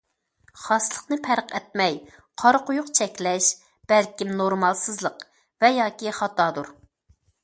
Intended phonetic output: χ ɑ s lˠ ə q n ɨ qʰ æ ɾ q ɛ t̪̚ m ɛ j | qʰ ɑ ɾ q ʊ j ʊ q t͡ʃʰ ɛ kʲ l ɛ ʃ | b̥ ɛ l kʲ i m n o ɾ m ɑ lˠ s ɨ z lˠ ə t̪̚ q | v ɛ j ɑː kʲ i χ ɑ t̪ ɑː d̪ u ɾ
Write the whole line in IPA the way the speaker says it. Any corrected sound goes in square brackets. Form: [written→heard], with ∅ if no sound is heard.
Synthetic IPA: χ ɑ s lˠ ə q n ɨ [qʰ→pʰ] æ ɾ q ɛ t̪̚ m ɛ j | qʰ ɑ ɾ q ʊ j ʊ q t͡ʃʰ ɛ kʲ l ɛ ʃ | b̥ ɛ l kʲ i m n o ɾ m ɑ lˠ s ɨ z lˠ ə [t̪̚→∅] q | v ɛ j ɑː kʲ i χ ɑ t̪ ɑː d̪ u ɾ